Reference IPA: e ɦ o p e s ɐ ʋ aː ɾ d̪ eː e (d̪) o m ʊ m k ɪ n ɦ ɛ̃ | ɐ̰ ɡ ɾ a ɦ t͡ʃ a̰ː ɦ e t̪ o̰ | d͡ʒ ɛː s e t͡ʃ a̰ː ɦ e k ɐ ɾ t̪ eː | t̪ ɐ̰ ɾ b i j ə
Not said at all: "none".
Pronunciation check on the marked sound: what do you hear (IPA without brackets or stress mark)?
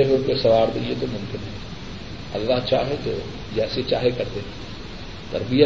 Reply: t̪